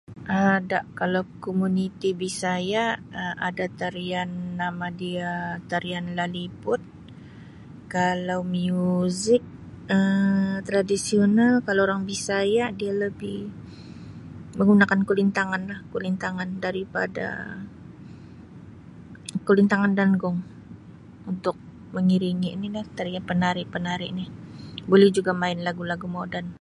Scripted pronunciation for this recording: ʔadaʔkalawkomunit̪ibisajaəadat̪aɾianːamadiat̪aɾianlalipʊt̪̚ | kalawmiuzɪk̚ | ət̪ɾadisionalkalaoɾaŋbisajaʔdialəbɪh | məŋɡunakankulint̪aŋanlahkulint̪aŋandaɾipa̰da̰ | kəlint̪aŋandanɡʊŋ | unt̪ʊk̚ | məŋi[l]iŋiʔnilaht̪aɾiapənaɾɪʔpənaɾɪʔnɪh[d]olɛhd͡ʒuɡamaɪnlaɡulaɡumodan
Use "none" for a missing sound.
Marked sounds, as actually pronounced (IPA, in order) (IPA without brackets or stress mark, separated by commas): ɾ, b